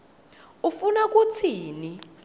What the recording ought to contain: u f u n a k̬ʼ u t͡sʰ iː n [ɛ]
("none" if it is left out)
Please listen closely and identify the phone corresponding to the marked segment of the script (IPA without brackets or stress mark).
i